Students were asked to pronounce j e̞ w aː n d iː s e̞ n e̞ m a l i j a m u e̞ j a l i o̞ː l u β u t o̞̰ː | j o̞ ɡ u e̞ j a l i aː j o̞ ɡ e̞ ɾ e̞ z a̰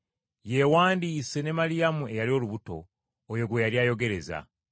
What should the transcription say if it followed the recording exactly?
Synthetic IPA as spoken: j e̞ w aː n d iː s e̞ n e̞ m a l i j a m u e̞ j a l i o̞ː l u β u t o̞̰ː | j o̞ ɡ w e̞ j a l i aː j o̞ ɡ e̞ ɾ e̞ z a̰